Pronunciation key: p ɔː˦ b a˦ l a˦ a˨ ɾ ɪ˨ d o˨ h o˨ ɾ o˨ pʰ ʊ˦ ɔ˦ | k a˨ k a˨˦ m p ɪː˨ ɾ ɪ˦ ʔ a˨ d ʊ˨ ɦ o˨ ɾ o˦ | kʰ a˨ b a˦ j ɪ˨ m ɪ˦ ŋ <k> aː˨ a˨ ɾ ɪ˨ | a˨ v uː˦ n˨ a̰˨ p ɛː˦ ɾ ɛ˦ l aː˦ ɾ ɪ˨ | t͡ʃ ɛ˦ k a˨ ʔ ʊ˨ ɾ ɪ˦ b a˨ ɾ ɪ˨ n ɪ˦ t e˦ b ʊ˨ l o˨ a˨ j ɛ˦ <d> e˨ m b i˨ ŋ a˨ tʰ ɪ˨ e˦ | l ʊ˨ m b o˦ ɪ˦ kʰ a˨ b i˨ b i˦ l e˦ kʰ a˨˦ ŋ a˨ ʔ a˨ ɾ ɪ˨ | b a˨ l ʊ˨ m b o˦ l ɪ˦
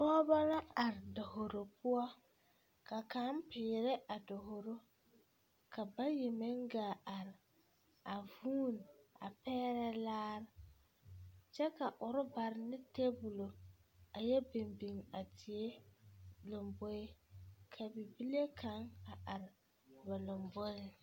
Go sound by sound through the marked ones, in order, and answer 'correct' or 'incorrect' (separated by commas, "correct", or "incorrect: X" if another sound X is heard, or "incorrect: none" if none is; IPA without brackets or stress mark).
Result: incorrect: ɡ, incorrect: b